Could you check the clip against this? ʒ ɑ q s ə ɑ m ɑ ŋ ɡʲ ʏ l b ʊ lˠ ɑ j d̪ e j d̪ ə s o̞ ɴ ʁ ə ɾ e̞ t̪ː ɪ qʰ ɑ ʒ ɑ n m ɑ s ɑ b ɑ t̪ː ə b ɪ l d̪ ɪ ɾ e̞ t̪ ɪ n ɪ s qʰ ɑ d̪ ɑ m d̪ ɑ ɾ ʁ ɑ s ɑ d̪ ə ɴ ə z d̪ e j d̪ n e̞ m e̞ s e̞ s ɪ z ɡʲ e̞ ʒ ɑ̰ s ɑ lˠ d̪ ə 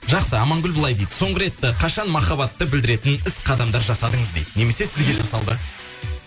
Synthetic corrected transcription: ʒ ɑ q s ə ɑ m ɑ ŋ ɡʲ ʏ l b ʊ lˠ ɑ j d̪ e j d̪ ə s o̞ ɴ ʁ ə ɾ e̞ t̪ː ɪ qʰ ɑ ʃ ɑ n m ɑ χ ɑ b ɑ t̪ː ə b ɪ l d̪ ɪ ɾ e̞ t̪ ɪ n ɪ s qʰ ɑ d̪ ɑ m d̪ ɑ ɾ ʒ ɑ s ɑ d̪ ə ɴ ə z d̪ e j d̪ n e̞ m e̞ s e̞ s ɪ z ɡʲ e̞ ʒ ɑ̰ s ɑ lˠ d̪ ə